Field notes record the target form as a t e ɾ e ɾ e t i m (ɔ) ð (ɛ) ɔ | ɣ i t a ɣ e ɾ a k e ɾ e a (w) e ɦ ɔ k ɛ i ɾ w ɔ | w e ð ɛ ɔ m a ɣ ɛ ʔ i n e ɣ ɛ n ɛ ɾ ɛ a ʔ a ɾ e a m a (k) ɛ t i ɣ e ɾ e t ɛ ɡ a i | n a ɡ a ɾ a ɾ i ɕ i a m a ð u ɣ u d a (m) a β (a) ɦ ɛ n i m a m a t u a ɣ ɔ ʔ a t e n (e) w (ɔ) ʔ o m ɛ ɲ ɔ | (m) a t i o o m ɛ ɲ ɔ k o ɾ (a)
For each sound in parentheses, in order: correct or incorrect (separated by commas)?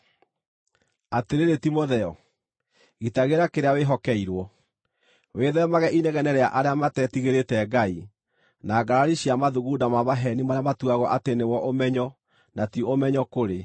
incorrect, correct, correct, incorrect, correct, correct, correct, correct, incorrect, incorrect